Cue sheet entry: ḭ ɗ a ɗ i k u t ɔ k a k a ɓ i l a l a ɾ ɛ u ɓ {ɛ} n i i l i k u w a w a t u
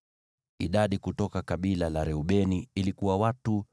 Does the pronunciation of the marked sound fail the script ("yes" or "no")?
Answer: no